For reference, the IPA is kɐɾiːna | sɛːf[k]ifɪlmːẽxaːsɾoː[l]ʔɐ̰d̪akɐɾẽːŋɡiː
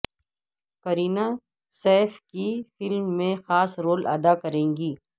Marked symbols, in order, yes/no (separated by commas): yes, yes